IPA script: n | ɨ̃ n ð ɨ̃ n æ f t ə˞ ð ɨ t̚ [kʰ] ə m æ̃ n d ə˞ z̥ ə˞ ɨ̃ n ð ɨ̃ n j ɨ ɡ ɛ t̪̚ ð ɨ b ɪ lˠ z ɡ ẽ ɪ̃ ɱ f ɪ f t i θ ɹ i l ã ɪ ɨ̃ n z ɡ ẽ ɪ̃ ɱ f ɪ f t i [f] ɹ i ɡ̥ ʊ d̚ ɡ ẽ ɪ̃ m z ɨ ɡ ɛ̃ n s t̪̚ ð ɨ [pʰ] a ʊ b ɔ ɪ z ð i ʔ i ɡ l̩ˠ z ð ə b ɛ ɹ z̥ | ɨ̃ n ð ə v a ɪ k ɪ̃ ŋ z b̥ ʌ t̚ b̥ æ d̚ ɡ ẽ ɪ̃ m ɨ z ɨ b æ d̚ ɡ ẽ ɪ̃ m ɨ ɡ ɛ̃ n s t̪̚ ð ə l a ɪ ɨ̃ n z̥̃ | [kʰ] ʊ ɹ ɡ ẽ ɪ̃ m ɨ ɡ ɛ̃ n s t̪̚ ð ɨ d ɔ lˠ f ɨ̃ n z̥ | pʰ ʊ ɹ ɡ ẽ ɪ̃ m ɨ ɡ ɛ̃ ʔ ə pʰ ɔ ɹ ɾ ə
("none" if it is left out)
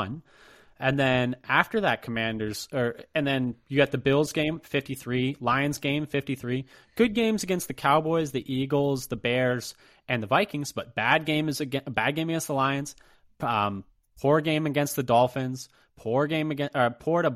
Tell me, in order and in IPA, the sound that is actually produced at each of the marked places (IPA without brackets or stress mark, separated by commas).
kʰ, θ, kʰ, pʰ